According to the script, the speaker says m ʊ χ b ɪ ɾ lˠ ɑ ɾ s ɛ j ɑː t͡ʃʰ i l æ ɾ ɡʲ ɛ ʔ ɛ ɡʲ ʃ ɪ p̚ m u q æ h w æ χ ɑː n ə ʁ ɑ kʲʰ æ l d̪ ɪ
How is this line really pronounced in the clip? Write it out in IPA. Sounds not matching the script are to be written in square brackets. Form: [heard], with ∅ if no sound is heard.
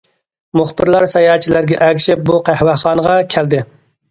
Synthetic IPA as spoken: m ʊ χ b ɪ ɾ lˠ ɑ ɾ s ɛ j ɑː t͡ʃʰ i l æ ɾ ɡʲ ɛ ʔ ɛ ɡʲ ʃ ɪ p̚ [b] u q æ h w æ χ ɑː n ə ʁ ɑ kʲʰ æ l d̪ ɪ